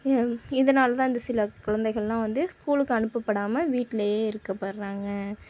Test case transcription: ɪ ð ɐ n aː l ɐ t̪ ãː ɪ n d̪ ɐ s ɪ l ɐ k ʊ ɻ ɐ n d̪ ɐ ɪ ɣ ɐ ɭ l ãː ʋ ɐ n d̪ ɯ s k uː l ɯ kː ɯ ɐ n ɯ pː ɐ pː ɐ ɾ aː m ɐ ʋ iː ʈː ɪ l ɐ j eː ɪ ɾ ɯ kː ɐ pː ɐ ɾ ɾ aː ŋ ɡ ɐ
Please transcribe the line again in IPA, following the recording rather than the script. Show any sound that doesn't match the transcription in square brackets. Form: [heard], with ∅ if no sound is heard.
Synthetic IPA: ɪ ð ɐ n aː l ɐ t̪ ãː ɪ n d̪ ɐ s ɪ l ɐ k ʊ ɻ ɐ n d̪ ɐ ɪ ɣ ɐ ɭ l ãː ʋ ɐ n d̪ ɯ s k uː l ɯ kː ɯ ɐ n ɯ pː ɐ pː ɐ [ɽ] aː m ɐ ʋ iː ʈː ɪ l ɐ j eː ɪ ɾ ɯ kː ɐ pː ɐ ɾ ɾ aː ŋ ɡ ɐ